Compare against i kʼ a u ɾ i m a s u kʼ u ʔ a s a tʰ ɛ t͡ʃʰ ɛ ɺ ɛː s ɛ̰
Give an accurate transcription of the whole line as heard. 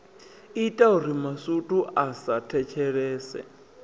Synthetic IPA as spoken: i tʼ a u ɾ i m a s u tʼ u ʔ a s a tʰ ɛ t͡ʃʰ ɛ ɺ ɛː s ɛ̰

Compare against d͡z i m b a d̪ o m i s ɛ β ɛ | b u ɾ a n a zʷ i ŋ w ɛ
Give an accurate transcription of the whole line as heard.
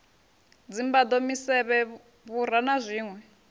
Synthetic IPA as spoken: d͡z i m b a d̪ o m i s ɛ β ɛ | β u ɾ a n a zʷ iː ŋ w ɛ

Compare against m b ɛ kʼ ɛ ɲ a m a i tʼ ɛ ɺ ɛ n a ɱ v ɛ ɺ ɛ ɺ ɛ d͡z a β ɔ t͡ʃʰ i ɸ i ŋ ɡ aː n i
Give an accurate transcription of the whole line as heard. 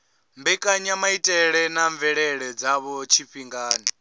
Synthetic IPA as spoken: m b ɛ kʼ a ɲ a m a i tʼ ɛ ɺ ɛ n a ɱ v ɛ ɺ ɛ ɺ ɛ d͡z a β ɔ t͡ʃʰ i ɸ i ŋ ɡ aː n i

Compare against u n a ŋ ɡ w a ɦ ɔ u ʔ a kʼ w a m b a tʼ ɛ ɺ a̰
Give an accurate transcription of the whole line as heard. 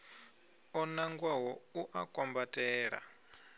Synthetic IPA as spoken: ɔ n a ŋ ɡ w a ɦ ɔ u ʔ a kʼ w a m b a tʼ ɛː ɺ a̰

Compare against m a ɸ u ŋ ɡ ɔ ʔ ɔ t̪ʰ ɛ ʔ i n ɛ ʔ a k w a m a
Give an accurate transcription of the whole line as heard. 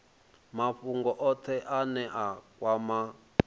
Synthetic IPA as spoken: m a ɸ u ŋ ɡ ɔ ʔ ɔ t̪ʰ ɛ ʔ a n ɛ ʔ a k w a m a

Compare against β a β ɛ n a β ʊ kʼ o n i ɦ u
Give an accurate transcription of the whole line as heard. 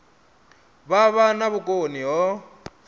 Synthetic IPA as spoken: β a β a n a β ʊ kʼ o n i ɦ ɔ

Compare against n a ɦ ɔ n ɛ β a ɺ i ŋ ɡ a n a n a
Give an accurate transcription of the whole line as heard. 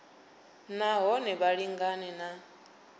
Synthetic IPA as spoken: n a ɦ ɔ n ɛ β a ɺ i ŋ ɡ a n ɛ n a

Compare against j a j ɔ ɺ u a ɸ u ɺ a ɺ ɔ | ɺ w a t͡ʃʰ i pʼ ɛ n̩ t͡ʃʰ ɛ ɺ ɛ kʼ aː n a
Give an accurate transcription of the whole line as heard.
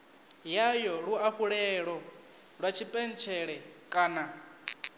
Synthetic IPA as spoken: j a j ɔ ɺ u a ɸ u ɺ ɛ ɺ ɔ | ɺ w a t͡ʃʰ i pʼ ɛ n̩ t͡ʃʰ ɛ ɺ ɛ kʼ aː n a

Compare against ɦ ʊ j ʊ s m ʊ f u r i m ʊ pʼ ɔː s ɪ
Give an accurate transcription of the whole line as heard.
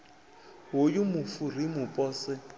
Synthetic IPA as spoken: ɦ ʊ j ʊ m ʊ f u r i m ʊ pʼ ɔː s ɪ

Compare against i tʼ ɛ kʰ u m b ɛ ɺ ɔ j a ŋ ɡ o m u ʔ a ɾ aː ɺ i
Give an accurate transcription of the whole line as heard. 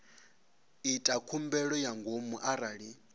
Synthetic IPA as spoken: i tʼ a kʰ u m b ɛ ɺ ɔ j a ŋ ɡ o m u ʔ a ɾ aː ɺ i

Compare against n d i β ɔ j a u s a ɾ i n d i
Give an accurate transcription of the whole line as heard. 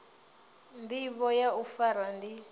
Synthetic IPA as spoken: n d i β ɔ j a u f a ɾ a n d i

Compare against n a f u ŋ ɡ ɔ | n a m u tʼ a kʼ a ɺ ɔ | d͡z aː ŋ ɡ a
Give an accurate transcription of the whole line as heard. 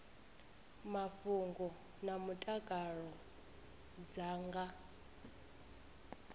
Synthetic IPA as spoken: m a f u ŋ ɡ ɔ | n a m u tʼ a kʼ a ɺ ɔ | d͡z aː ŋ ɡ a

